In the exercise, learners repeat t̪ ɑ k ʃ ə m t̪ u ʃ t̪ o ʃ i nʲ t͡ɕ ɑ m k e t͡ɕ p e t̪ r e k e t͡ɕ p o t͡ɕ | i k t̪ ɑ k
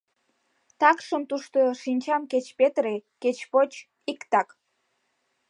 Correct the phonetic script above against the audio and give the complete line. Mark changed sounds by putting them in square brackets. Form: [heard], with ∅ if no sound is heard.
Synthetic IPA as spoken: t̪ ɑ k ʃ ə m t̪ u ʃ t̪ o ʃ i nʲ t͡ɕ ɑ m k e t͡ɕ p e t̪ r e k e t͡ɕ p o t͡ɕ | i k t̪ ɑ k

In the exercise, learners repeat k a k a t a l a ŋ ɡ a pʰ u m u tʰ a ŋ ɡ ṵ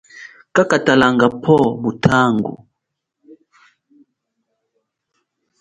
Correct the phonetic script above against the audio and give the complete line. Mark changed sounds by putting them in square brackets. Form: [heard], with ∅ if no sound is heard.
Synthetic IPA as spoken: k a k a t a l a ŋ ɡ a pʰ [ɔ] m u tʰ a ŋ ɡ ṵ

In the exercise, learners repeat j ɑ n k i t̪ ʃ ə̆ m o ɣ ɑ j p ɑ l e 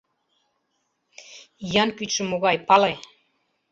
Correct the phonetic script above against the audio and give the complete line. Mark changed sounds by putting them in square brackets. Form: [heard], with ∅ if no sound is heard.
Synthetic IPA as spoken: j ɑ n k [y] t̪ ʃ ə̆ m o ɣ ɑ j p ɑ l e

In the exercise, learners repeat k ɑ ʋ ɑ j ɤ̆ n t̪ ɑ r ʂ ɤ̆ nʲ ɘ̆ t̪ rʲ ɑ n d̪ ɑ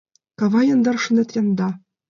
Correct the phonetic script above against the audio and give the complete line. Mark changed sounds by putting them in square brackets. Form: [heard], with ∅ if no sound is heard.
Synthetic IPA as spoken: k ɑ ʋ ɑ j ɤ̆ n [d̪] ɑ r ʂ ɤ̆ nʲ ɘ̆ t̪ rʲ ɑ n d̪ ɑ

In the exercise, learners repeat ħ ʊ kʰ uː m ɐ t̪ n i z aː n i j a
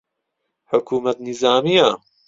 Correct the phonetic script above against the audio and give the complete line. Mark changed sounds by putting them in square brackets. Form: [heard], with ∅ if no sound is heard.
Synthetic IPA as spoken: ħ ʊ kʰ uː m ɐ t̪ n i z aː [m] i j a

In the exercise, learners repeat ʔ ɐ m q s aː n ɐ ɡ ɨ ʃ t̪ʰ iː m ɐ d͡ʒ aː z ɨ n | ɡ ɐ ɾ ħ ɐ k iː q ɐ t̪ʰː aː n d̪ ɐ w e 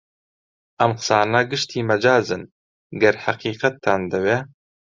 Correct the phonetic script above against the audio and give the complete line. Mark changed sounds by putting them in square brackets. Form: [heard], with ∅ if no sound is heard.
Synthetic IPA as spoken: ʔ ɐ m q s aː n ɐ ɡ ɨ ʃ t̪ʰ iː m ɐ d͡ʒ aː z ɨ n | ɡ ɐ ɾ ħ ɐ [q] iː q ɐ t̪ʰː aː n d̪ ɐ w e

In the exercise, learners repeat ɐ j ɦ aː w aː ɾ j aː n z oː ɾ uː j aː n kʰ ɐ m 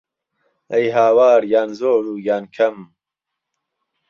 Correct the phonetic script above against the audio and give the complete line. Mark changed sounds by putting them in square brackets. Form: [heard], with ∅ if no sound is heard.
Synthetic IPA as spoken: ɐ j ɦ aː w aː ɾ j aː n z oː ɾ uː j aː n kʰ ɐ m

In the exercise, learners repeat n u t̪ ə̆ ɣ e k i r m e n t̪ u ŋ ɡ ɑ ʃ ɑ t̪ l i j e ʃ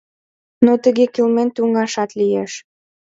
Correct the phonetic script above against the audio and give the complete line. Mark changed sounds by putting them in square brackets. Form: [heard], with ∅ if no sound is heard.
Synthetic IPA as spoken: n [o] t̪ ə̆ ɣ e k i [l] m e n t̪ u ŋ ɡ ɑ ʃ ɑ t̪ l i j e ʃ

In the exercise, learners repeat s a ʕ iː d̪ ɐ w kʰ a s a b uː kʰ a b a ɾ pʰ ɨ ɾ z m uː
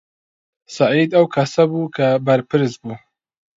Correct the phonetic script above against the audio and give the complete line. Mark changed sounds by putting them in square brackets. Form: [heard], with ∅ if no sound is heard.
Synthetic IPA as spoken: s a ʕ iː d̪ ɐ w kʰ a s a b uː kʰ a b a ɾ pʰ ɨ ɾ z [b] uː

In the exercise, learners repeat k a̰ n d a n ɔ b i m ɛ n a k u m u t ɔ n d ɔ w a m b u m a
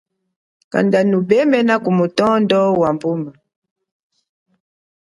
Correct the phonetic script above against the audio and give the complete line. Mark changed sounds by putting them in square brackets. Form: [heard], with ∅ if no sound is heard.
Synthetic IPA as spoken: k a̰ n d a n [u] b [ɛ] m ɛ n a k u m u t ɔ n d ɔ w a m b u m a

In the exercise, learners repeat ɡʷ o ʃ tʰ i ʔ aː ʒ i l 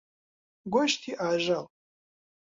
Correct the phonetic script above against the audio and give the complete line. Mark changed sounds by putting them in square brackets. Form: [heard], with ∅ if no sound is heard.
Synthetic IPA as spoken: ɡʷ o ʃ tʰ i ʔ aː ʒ [a] l

